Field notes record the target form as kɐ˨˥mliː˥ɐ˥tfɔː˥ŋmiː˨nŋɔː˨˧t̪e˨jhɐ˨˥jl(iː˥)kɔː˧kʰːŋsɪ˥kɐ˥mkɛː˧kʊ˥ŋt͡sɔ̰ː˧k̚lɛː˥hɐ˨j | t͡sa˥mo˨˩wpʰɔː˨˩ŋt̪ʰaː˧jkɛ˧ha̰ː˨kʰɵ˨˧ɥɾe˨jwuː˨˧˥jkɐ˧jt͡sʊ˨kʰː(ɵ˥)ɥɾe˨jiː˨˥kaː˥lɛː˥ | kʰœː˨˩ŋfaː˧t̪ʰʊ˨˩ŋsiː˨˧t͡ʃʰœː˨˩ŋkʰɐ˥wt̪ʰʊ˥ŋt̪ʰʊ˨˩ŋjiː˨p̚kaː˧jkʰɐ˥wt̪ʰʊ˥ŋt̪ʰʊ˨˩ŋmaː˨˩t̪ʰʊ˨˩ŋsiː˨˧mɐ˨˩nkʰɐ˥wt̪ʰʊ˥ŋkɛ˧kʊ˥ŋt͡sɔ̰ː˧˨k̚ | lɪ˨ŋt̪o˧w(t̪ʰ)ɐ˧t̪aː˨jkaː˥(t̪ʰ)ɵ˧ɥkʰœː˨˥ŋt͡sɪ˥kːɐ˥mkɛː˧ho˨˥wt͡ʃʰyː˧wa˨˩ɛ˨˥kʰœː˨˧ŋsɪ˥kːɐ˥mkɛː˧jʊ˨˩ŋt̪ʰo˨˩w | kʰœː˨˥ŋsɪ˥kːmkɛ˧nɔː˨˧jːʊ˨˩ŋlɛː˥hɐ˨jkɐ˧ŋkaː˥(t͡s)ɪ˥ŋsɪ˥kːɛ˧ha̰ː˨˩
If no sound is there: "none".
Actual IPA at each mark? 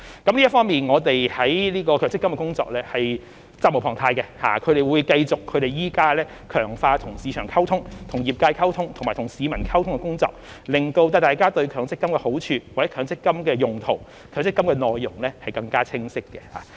iː˥, ɵ˨˧, t̪, t̪, t͡sʰ

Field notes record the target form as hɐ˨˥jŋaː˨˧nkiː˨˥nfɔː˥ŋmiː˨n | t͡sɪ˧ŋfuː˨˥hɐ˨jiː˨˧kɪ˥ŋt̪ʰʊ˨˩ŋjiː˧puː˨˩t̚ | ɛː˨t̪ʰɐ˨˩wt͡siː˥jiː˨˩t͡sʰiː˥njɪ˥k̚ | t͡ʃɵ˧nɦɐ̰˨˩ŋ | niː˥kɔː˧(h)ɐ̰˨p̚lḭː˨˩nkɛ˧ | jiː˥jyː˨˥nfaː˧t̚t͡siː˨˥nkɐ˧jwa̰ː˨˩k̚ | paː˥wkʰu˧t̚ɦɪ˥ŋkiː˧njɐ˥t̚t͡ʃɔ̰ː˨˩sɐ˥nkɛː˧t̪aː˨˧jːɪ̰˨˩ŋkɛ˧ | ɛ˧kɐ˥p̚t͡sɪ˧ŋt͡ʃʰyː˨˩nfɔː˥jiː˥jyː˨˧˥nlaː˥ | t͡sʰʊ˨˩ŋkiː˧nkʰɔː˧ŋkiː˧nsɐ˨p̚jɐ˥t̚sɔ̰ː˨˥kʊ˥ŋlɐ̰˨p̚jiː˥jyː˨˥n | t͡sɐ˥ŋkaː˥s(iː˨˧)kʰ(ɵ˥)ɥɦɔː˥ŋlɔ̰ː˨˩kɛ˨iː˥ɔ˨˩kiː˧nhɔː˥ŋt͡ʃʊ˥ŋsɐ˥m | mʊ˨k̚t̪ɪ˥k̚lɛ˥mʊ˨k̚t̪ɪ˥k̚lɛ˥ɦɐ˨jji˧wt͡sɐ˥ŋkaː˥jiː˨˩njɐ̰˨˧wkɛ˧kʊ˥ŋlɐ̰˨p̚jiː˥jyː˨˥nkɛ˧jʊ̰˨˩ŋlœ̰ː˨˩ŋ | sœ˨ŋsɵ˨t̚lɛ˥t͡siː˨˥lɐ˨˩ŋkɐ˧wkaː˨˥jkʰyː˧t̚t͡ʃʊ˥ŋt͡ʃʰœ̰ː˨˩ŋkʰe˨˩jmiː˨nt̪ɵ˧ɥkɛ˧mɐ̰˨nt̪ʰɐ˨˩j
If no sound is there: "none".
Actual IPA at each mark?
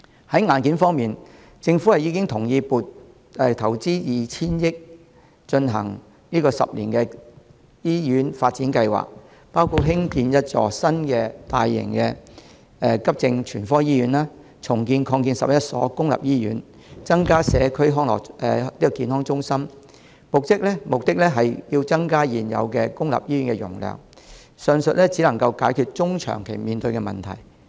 s, ɛː˨˧, ɵ˥

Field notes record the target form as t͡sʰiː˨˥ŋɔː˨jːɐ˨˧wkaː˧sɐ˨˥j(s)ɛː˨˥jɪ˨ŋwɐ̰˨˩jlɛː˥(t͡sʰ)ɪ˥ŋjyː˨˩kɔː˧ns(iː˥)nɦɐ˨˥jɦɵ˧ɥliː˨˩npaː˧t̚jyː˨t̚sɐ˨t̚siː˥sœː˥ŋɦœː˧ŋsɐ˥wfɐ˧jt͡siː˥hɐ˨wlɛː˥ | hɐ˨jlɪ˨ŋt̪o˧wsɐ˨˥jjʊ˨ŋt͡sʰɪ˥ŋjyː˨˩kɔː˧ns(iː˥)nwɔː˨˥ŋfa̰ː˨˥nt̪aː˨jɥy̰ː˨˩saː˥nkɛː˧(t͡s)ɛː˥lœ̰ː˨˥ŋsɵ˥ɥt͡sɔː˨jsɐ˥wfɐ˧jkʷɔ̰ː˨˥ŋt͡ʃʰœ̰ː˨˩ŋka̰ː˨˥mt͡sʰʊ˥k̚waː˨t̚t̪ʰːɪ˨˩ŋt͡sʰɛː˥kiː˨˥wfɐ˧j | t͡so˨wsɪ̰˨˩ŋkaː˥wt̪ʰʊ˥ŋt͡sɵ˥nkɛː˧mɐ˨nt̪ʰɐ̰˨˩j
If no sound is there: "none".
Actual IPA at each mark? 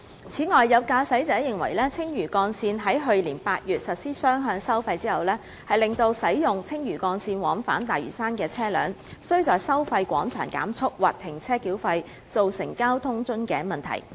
t͡s, t͡sʰ, iː˧, iː˧, t͡sʰ

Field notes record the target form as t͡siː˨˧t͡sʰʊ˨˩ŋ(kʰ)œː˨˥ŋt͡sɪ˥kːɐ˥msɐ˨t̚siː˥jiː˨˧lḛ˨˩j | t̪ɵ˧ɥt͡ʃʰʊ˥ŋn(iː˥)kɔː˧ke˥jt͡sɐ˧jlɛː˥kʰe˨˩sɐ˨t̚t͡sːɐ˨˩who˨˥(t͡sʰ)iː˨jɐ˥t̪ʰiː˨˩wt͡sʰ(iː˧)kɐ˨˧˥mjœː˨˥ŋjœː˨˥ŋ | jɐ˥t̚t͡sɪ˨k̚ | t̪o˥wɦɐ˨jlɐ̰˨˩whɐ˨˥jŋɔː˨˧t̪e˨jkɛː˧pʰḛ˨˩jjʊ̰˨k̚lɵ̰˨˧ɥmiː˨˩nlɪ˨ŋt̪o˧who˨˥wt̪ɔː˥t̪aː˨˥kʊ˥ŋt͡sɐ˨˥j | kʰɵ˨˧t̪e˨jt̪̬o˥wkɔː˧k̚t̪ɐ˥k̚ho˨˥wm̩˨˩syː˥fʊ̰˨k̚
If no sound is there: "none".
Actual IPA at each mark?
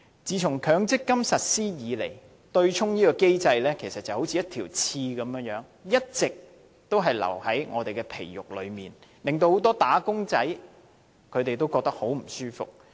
kʰ, iː˥, t͡sʰ, iː˧

